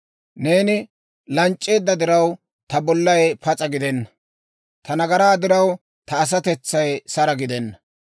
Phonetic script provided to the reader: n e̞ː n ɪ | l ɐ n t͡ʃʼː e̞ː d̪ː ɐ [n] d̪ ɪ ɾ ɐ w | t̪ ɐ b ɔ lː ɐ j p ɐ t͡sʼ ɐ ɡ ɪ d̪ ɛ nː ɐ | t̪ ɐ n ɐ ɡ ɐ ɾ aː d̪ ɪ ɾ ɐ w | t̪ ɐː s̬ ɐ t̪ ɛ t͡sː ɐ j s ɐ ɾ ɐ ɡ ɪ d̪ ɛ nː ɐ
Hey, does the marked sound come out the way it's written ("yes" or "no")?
no